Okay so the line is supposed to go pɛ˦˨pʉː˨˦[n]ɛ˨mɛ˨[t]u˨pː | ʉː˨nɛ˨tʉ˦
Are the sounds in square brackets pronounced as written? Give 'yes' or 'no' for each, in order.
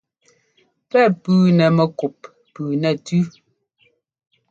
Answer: yes, no

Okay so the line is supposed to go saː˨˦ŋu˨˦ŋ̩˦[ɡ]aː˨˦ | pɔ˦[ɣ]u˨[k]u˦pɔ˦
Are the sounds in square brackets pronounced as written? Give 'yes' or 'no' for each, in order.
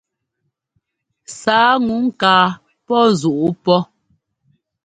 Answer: no, no, no

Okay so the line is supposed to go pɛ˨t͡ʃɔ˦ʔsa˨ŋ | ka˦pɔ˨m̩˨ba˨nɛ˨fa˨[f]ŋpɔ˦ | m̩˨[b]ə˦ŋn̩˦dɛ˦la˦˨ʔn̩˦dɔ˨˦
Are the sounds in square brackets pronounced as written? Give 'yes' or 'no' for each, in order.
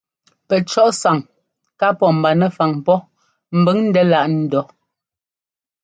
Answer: no, yes

